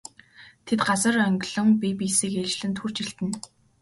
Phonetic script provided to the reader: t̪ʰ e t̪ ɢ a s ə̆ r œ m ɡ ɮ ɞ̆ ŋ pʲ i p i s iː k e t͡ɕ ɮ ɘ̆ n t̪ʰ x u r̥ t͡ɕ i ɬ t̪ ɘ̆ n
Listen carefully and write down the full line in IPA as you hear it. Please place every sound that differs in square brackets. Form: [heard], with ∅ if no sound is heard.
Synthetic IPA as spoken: t̪ʰ e t̪ ɢ a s ə̆ r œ [ŋ] ɡ ɮ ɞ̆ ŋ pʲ i p i s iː k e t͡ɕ ɮ ɘ̆ n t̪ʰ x u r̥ t͡ɕ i ɬ t̪ ɘ̆ n